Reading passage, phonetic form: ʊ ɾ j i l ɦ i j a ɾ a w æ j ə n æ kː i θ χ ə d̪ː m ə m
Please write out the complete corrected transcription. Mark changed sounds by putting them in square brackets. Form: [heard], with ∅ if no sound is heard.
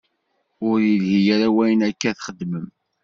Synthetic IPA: ʊ ɾ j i l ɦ i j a ɾ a w æ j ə n æ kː [æ] θ χ ə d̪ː m ə m

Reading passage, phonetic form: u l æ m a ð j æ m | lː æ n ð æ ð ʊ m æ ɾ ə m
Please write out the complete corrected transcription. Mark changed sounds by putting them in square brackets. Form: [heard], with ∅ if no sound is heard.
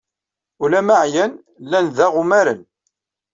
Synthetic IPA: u l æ m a [ʕ] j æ [n] | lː æ n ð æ [ʁ] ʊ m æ ɾ ə [n]

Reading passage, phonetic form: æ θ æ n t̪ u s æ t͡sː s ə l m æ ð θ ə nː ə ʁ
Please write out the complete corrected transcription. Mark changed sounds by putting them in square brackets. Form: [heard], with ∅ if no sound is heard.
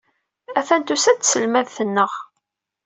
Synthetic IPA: æ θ æ n t̪ u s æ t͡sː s ə l m æ ð θ ə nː ə ʁ

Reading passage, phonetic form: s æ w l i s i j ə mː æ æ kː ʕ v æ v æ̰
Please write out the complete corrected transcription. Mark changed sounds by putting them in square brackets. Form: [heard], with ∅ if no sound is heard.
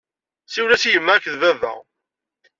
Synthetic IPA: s [i] w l [æ] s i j ə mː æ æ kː [ð] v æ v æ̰

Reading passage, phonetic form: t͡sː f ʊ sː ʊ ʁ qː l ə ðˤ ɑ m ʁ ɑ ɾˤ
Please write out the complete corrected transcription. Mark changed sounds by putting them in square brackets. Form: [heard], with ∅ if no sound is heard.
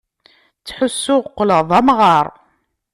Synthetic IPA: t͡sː [ħ] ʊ sː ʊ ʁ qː l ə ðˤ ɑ m ʁ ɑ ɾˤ

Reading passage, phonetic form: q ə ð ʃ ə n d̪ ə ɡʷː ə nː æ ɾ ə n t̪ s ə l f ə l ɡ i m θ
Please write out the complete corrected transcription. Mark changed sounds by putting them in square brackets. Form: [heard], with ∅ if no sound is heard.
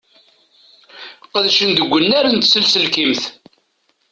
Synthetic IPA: q ə ð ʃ ə n d̪ ə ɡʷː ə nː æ ɾ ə n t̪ s ə l [s] ə l [k] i m θ

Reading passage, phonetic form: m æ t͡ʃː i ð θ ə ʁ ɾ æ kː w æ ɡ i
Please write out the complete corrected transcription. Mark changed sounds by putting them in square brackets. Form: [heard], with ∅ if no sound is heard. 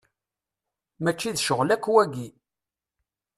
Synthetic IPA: m æ t͡ʃː i ð [ʃ] ə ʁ [l] æ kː w æ ɡ i

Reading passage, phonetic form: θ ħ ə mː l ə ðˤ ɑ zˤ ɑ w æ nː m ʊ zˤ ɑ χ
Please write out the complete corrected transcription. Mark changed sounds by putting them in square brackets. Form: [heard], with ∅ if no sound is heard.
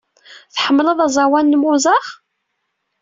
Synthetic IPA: θ ħ ə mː l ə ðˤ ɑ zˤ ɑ w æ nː m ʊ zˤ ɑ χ

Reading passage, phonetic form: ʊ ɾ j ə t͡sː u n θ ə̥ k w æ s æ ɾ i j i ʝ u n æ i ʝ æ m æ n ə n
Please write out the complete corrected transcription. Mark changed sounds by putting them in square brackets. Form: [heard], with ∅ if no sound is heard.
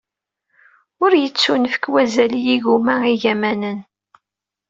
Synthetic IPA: ʊ ɾ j ə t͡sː u n [f] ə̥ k w æ [z] æ [l] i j i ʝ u [m] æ i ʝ æ m æ n ə n

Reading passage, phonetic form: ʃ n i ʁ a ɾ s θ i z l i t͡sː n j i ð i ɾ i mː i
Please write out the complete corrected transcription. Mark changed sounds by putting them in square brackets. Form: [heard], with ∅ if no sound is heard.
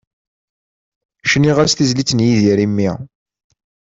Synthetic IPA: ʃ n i ʁ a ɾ s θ i z l i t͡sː n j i ð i ɾ i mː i

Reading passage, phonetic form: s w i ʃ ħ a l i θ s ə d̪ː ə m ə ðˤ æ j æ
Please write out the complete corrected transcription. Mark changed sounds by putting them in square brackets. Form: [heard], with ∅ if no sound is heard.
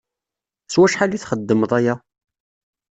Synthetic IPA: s w [æ] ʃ ħ a l i θ [χ] ə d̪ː ə m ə ðˤ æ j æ

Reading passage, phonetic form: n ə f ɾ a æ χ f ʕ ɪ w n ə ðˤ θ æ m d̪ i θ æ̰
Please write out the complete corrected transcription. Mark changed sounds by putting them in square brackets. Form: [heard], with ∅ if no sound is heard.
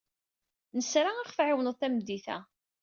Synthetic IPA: n ə [s] ɾ a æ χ f ʕ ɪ w n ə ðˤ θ æ m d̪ i θ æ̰

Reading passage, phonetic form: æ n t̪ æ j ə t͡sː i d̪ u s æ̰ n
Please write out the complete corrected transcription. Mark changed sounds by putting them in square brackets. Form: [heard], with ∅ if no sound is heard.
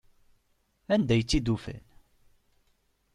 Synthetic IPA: æ n [d̪] æ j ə t͡sː i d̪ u [f] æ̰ n

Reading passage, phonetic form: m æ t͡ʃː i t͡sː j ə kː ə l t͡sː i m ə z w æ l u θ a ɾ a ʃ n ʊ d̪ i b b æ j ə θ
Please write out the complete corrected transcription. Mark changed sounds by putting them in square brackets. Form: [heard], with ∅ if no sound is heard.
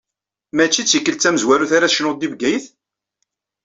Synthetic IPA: m æ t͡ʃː i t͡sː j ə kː ə l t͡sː [æ] m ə z w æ [ɾ] u θ a ɾ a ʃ n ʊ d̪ i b [ɡ] æ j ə θ

